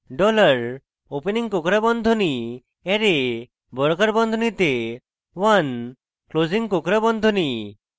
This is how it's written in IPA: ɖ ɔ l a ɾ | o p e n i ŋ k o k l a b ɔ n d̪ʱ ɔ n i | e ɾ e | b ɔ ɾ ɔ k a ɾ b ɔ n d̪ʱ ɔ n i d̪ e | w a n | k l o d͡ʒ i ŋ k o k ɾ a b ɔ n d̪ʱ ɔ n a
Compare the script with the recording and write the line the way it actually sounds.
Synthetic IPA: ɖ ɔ l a ɾ | o p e n i ŋ k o k ɾ a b ɔ n d̪ʱ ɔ n i | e ɾ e | b ɔ ɾ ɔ k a ɾ b ɔ n d̪ʱ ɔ n i t̪ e | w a n | k l o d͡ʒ i ŋ k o k ɾ a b ɔ n d̪ʱ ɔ n i